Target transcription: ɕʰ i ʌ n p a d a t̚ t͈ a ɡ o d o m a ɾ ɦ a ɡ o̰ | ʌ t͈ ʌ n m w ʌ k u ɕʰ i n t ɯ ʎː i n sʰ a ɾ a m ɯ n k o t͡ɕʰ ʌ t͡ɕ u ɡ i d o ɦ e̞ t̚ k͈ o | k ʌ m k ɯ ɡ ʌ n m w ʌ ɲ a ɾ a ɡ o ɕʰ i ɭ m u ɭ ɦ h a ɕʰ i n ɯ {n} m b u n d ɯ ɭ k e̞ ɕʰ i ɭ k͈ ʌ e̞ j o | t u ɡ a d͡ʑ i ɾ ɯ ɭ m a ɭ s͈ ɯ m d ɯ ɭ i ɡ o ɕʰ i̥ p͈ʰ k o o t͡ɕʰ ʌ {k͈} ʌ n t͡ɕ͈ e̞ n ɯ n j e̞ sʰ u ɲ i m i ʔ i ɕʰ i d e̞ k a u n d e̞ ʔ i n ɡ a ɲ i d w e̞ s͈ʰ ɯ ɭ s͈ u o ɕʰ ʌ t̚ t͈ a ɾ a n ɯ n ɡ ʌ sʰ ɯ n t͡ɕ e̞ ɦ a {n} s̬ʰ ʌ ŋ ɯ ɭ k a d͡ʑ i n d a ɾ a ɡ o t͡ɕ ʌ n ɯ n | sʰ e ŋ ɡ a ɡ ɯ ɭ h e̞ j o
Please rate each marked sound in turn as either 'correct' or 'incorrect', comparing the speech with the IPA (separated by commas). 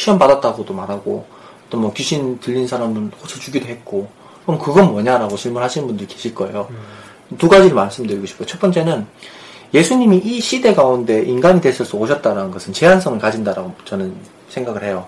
correct, incorrect, correct